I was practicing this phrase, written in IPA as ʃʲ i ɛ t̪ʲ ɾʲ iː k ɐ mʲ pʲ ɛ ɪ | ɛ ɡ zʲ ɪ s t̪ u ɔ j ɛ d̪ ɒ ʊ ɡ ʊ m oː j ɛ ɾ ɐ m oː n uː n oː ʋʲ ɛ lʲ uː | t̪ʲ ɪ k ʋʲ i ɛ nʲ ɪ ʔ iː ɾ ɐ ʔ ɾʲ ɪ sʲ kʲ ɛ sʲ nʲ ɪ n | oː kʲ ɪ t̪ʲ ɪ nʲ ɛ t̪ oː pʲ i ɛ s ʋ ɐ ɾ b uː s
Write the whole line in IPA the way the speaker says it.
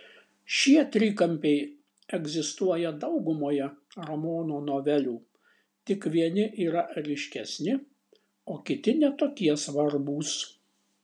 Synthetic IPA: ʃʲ i ɛ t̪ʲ ɾʲ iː k ɐ mʲ pʲ ɛ ɪ | ɛ ɡ zʲ ɪ s t̪ u ɔ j ɛ d̪ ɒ ʊ ɡ ʊ m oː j ɛ ɾ ɐ m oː n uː n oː ʋʲ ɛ lʲ uː | t̪ʲ ɪ k ʋʲ i ɛ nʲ ɪ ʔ iː ɾ ɐ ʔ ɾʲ ɪ ʃʲ kʲ ɛ sʲ nʲ ɪ | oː kʲ ɪ t̪ʲ ɪ nʲ ɛ t̪ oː kʲ i ɛ s ʋ ɐ ɾ b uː s